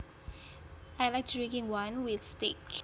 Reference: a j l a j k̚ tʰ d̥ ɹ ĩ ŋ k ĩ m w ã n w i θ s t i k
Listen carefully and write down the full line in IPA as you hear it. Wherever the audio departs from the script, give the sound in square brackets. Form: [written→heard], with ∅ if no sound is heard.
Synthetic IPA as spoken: a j l a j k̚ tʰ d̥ ɹ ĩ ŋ k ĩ [m→ŋ] w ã n w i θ s t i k